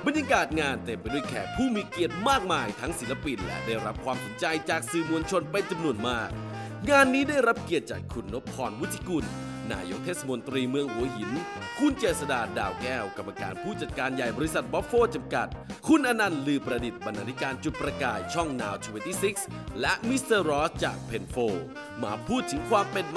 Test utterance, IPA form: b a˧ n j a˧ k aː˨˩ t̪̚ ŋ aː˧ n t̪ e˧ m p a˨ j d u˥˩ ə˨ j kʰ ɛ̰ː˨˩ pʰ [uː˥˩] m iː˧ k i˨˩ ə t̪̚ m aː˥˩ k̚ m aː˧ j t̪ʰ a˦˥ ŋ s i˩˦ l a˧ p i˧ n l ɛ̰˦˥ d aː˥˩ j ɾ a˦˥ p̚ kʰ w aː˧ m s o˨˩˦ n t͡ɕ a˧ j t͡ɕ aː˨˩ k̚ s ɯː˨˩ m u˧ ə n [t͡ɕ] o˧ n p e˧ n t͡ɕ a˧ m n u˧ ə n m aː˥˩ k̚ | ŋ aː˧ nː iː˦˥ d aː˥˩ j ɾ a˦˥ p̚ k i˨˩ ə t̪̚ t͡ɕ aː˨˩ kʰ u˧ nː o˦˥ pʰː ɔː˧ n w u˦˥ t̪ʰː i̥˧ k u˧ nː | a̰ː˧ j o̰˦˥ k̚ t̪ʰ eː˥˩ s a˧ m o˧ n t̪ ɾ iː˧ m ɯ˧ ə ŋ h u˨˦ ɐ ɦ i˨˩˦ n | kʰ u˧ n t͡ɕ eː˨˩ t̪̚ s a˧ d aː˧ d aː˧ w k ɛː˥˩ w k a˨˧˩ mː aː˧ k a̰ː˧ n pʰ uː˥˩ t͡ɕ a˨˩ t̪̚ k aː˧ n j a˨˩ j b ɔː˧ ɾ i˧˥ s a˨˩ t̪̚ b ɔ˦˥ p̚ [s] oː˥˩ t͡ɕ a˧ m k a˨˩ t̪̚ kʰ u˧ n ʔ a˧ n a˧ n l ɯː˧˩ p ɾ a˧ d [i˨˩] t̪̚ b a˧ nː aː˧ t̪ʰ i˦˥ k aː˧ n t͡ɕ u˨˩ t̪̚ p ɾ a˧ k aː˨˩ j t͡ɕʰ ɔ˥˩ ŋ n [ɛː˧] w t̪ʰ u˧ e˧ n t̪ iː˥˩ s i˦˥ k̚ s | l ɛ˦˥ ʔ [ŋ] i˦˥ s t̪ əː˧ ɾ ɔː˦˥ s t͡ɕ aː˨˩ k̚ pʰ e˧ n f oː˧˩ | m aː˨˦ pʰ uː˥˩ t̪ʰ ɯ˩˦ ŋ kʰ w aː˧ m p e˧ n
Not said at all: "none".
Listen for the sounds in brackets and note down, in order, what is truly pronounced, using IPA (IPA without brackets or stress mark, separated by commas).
uː˥˩, t͡ɕʰ, f, i˨˩, aː˧, m